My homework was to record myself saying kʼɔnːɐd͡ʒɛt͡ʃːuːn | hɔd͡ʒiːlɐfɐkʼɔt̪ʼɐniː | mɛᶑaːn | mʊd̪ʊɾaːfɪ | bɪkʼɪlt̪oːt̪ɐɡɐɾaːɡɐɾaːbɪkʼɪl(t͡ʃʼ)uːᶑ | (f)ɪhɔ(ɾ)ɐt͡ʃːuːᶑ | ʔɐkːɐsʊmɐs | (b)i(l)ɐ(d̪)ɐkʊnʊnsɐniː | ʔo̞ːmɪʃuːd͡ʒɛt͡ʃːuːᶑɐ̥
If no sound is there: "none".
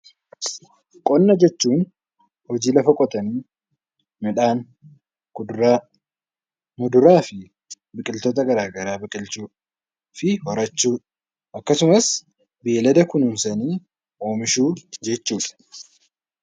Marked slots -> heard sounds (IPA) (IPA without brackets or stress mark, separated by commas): t͡ʃ, f, ɾ, b, l, d̪